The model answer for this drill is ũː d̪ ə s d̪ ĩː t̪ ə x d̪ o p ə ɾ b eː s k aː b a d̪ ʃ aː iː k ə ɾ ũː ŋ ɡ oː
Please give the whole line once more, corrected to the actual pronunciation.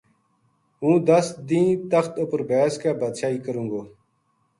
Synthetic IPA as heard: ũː d̪ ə s d̪ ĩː t̪ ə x t̪ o p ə ɾ b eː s k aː b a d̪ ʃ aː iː k ə ɾ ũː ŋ ɡ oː